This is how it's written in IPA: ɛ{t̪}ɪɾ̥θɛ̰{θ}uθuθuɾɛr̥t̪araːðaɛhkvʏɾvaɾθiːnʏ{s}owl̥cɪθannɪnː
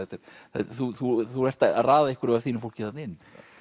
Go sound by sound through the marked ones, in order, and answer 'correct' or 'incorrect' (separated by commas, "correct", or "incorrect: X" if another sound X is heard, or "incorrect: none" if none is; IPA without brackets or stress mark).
correct, correct, incorrect: f